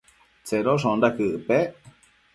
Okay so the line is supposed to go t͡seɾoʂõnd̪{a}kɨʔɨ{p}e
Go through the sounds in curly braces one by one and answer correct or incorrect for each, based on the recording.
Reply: correct, correct

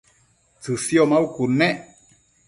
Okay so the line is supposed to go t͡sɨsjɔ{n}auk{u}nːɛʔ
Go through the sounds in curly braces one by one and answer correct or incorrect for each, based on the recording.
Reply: incorrect: m, correct

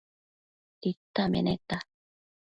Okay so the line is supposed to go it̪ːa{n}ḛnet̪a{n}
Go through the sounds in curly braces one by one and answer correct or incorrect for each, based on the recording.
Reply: incorrect: m, incorrect: none

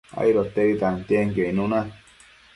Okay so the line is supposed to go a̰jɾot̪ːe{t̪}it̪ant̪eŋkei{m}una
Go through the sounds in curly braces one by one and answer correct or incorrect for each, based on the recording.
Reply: incorrect: none, incorrect: n

